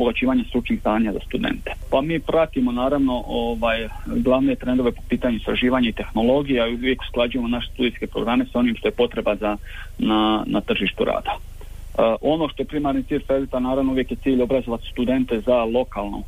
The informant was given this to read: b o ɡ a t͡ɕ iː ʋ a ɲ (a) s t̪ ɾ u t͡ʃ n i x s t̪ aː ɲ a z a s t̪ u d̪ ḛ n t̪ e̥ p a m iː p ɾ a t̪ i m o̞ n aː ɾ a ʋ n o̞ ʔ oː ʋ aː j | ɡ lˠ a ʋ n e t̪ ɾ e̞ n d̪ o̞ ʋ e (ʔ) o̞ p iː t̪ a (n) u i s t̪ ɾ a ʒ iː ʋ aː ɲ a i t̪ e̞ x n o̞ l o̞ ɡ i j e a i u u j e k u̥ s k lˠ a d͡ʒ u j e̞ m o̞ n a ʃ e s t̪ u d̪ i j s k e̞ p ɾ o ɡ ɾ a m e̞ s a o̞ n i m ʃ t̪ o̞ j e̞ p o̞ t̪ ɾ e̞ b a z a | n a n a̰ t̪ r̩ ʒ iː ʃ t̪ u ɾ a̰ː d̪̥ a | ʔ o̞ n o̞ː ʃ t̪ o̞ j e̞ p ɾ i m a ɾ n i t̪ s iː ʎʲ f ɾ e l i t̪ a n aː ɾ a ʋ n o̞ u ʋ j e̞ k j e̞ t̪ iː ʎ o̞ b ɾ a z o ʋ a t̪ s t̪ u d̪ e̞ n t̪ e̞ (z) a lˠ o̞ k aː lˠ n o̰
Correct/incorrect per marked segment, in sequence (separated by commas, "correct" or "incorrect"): correct, incorrect, incorrect, correct